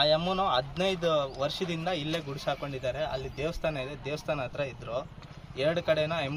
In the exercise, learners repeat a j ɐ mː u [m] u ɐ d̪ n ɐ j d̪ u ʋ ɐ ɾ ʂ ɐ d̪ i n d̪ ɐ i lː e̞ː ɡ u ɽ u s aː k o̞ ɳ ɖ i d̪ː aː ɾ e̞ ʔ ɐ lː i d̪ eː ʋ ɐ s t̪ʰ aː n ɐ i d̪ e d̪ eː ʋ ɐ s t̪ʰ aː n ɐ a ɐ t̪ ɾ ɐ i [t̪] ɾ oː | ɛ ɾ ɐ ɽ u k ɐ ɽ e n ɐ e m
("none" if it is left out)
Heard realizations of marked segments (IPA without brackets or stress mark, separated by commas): n, d̪